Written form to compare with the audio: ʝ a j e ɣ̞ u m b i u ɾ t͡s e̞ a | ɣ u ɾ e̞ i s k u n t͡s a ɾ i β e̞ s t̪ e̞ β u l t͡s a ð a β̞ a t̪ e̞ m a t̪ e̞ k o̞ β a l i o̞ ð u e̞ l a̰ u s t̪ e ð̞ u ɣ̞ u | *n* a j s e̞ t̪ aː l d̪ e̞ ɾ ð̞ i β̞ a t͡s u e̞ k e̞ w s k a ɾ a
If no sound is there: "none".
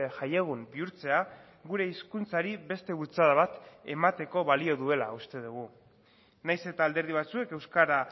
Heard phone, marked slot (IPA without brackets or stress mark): n